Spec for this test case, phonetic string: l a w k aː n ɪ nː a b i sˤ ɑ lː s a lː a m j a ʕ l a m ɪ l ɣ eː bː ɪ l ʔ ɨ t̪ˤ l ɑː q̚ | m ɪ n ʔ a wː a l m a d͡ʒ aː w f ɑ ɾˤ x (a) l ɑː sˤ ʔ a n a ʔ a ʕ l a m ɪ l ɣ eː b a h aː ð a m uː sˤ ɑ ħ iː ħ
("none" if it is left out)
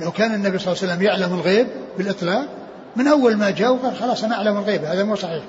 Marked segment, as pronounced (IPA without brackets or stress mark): ɑ